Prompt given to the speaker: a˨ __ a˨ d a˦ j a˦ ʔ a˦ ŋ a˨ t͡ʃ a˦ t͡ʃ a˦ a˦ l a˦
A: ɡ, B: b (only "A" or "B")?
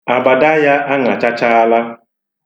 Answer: B